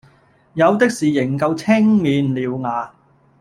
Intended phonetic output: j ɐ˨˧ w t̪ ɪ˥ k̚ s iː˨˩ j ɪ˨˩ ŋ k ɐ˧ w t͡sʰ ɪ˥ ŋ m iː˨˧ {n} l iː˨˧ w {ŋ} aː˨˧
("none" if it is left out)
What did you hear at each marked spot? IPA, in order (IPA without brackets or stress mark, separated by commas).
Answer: n, ŋ